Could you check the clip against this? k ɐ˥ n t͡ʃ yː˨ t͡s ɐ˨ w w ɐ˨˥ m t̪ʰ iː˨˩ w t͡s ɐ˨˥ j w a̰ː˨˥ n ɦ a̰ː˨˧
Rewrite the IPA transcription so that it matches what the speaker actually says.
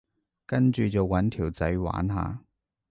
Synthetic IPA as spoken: k ɐ˥ n t͡ʃ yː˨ t͡s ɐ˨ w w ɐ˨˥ n t̪ʰ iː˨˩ w t͡s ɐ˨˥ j w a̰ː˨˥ n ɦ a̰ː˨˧